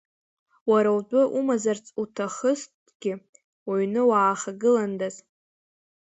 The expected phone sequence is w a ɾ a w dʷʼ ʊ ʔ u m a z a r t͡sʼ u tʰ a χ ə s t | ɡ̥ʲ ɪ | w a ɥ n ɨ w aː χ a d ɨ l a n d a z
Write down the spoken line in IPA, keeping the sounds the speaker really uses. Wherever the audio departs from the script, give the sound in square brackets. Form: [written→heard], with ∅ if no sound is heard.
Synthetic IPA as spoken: w a ɾ a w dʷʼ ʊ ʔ u m a z a r t͡sʼ u tʰ a χ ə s t | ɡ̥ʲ ɪ | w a ɥ n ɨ w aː χ a [d→ɡ] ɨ l a n d a z